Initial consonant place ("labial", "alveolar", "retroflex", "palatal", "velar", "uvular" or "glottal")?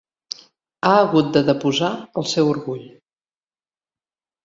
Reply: velar